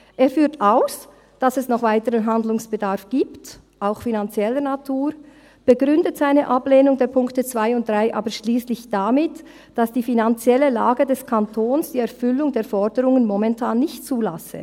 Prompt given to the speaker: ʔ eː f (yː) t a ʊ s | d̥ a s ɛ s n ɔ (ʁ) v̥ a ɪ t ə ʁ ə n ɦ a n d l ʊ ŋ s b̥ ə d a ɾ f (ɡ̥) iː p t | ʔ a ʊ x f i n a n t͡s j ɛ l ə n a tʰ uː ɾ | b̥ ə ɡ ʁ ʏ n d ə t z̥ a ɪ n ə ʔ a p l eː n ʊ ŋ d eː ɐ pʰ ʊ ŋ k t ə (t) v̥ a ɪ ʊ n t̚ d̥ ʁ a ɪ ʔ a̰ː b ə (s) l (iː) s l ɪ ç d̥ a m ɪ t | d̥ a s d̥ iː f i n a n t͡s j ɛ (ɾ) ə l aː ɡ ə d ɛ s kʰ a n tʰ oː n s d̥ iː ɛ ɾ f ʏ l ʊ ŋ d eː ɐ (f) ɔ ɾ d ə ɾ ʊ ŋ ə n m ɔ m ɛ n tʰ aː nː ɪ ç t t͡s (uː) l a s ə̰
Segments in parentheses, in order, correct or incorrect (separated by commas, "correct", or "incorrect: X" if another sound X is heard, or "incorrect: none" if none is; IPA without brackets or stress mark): correct, incorrect: χ, correct, incorrect: t͡s, incorrect: ʃ, correct, incorrect: l, correct, correct